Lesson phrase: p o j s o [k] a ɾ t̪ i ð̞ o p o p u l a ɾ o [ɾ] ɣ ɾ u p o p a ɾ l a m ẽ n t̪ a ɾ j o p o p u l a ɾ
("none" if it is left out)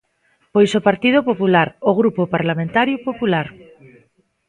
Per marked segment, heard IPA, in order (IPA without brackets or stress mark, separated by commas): p, none